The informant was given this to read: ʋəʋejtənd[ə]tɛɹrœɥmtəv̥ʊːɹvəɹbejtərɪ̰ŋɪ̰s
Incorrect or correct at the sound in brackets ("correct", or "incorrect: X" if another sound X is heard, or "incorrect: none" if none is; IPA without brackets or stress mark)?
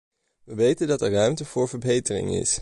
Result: incorrect: ɑ